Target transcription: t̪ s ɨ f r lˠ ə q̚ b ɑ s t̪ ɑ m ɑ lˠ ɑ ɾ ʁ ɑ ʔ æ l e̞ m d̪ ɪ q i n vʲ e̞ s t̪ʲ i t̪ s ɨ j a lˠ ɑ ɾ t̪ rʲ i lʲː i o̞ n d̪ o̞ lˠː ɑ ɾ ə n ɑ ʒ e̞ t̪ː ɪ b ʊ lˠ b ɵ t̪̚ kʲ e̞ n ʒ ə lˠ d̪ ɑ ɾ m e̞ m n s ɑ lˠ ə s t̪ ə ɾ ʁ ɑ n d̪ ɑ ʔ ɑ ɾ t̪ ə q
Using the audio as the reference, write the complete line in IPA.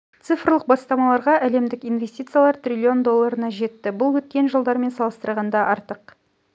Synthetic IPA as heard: t̪ s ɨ f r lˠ ə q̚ b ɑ s t̪ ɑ m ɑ lˠ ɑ ɾ ʁ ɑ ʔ æ l e̞ m d̪ ɪ k i n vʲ e̞ s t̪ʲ i t̪ s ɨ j a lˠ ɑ ɾ t̪ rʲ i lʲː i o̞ n d̪ o̞ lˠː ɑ ɾ ə n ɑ ʒ e̞ t̪ː ɪ b ʊ lˠ w ɵ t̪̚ kʲ e̞ n ʒ ə lˠ d̪ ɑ ɾ m e̞ n s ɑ lˠ ə s t̪ ə ɾ ʁ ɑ n d̪ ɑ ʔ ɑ ɾ t̪ ə q